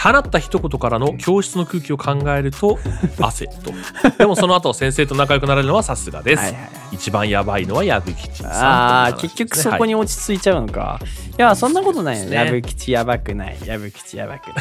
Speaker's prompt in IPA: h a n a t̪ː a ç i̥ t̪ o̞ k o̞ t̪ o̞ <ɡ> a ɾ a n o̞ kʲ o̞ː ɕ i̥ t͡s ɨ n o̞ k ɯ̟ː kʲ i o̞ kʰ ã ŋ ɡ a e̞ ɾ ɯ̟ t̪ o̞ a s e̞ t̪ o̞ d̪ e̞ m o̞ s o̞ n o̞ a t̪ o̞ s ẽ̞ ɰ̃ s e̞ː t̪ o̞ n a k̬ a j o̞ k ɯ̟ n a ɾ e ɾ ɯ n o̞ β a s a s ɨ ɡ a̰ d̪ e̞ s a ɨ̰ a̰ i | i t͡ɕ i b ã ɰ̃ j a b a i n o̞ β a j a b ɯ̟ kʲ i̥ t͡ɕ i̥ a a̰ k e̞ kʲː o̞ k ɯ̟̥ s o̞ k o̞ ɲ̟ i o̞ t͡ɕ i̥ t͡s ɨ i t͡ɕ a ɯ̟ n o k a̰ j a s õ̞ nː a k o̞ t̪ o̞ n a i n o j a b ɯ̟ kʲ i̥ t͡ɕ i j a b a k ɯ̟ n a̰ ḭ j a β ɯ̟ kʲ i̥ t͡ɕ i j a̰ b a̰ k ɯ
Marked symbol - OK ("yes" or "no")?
no